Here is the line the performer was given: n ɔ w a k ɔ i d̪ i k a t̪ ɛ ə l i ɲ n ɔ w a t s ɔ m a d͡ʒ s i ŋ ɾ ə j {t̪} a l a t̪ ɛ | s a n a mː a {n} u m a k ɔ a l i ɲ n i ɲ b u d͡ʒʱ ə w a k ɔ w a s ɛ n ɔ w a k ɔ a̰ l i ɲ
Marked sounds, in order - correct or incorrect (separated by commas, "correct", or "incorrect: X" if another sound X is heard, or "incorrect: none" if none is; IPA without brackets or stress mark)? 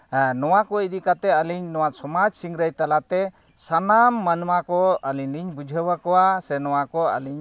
correct, correct